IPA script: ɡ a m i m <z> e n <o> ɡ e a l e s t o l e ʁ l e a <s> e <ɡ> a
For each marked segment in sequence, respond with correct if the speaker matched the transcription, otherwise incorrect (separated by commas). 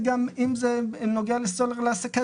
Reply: correct, correct, correct, incorrect